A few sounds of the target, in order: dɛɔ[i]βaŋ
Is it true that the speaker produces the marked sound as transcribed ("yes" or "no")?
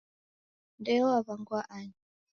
no